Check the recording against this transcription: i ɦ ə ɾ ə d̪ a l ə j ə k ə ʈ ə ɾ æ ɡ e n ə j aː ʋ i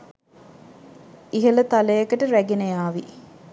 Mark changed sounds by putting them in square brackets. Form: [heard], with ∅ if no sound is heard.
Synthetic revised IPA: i ɦ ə [l] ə [t̪] a l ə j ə k ə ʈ ə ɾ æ ɡ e n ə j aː ʋ i